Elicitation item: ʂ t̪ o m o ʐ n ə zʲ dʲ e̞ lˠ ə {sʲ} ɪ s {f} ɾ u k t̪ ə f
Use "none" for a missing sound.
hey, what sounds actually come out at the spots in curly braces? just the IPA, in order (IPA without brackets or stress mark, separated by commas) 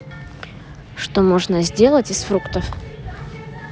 tʲ, f